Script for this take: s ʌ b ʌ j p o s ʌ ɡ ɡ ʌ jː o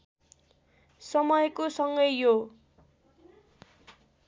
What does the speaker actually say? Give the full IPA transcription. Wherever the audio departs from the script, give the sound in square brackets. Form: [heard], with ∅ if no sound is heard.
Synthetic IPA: s ʌ [m] ʌ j [k] o s ʌ [ŋ] ɡ ʌ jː o